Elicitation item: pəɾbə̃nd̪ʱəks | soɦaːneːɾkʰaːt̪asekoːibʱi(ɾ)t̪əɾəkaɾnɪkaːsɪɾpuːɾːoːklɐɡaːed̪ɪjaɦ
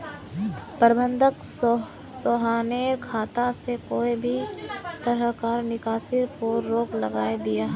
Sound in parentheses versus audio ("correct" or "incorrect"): incorrect